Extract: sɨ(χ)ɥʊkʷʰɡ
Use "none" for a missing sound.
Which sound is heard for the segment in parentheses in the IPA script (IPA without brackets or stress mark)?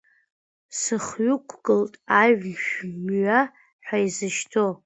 χ